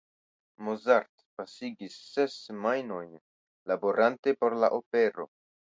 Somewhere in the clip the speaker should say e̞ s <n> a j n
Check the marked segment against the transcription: incorrect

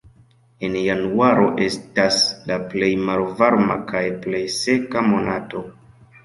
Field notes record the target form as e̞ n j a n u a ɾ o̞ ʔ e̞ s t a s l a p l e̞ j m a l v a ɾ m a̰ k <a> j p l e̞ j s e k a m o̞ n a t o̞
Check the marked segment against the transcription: correct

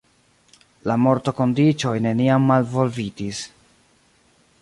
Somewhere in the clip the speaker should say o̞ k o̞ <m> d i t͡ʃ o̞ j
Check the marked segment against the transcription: incorrect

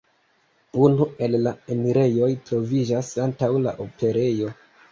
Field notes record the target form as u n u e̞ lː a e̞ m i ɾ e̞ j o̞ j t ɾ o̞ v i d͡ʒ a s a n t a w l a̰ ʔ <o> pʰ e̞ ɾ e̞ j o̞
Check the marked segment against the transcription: correct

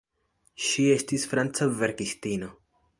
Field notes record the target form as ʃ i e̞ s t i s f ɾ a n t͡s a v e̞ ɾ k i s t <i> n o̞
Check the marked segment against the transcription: correct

